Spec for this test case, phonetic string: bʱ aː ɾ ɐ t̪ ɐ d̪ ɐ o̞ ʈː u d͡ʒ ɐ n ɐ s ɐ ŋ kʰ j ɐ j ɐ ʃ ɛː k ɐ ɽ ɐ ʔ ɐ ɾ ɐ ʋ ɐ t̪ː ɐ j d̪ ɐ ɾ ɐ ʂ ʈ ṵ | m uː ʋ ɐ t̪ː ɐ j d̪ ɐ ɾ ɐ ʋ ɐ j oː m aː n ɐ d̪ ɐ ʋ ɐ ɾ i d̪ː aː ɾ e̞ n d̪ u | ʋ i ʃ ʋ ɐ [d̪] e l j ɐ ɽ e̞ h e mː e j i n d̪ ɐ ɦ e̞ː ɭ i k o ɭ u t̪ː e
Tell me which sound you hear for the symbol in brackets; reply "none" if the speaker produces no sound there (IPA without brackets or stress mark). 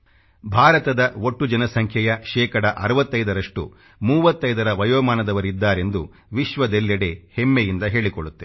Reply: d̪